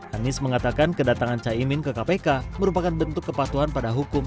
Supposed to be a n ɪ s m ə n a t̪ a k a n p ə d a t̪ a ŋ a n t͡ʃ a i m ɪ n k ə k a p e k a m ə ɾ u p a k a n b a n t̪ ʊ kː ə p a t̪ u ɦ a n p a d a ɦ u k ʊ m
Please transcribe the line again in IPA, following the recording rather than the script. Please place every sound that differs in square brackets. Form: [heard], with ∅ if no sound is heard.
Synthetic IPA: a n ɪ s m ə [ŋ] a t̪ a k a n [k] ə d a t̪ a ŋ a n t͡ʃ a i m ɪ n k ə k a p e k a m ə ɾ u p a k a n b [ə] n t̪ ʊ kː ə p a t̪ u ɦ a n p a d a ɦ u k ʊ m